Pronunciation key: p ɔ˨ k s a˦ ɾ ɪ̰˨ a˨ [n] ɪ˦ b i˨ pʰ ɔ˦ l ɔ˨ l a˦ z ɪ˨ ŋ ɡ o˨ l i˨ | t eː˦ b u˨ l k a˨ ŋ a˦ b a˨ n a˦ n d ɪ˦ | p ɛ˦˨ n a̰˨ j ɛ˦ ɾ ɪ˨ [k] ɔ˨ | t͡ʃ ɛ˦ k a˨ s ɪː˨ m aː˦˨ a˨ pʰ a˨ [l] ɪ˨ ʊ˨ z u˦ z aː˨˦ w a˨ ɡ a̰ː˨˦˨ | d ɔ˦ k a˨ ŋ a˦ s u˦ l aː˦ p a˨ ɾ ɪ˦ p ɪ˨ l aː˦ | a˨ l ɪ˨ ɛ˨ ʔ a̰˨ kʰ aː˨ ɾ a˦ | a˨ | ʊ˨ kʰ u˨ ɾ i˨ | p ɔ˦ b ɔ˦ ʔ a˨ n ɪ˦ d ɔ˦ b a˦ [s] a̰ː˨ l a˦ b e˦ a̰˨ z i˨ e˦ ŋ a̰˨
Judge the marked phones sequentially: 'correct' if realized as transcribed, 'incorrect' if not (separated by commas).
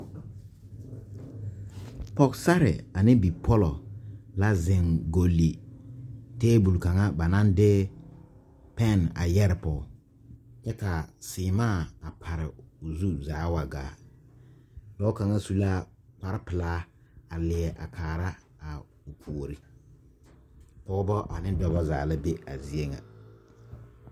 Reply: correct, incorrect, incorrect, incorrect